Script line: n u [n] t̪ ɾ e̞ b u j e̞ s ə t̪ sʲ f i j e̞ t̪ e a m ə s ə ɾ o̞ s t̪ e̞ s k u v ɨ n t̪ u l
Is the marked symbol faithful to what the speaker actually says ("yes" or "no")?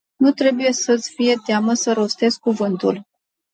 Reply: no